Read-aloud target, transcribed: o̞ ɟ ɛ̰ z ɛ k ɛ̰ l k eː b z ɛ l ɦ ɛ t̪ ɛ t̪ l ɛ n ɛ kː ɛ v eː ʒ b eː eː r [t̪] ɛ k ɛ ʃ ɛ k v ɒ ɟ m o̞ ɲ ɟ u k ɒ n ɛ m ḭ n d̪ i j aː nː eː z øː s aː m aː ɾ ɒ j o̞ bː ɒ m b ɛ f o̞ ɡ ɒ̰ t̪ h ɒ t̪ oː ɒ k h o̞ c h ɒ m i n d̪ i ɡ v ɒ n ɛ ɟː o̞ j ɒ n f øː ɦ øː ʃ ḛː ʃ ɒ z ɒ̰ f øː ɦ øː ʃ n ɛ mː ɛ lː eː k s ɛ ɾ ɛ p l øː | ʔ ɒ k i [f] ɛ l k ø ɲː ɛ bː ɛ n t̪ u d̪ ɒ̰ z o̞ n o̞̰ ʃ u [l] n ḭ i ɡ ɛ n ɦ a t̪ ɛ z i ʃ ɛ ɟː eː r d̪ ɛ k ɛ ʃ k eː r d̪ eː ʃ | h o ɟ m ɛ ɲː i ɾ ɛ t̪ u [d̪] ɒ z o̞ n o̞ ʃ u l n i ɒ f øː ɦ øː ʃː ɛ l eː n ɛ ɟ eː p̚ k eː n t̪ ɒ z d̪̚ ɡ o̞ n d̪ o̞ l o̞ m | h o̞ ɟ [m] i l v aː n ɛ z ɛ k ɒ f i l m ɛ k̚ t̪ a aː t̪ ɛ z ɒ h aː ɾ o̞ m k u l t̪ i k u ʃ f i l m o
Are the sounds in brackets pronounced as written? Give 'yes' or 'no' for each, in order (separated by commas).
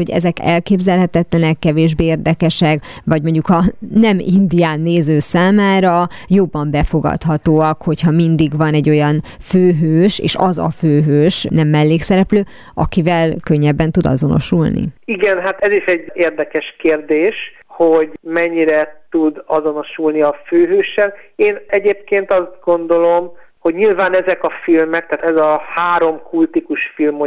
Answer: no, no, yes, yes, no